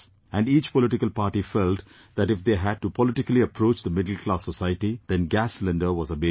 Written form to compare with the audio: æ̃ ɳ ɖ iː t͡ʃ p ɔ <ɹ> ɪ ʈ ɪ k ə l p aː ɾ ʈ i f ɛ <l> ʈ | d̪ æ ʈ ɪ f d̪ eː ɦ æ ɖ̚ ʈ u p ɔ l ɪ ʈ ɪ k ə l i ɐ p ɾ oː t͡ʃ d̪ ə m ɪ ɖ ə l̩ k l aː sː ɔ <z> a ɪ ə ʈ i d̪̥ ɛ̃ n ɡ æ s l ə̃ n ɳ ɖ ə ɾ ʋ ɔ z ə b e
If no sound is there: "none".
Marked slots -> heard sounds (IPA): l, l, s

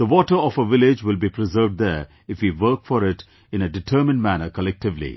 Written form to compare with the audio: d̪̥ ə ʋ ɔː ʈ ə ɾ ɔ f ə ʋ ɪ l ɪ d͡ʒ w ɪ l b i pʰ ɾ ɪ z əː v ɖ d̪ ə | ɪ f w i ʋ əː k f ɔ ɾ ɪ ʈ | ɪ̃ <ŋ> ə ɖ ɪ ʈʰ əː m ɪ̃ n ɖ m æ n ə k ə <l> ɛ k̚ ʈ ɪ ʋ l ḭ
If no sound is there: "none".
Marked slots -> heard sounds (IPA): n, l

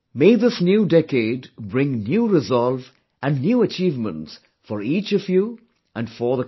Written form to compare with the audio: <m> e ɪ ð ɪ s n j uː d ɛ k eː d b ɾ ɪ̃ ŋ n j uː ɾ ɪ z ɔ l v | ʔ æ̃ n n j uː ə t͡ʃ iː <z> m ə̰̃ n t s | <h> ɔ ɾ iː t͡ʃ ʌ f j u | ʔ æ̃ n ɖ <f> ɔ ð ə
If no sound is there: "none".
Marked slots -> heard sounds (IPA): m, v, f, f

